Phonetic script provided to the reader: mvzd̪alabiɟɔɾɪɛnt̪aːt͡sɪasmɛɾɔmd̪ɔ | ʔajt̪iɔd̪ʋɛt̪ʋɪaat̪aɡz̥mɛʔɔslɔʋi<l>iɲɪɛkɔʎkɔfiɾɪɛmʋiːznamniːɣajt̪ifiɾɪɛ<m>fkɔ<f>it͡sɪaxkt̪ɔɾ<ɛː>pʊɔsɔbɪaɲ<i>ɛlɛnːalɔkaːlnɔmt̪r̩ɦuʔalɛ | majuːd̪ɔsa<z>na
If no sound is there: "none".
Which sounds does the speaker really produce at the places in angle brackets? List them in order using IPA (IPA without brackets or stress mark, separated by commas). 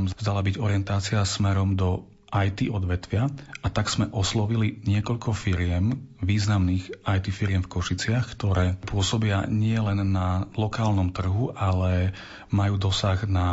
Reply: l, m, ʃ, ɛː, ɪ, ɣ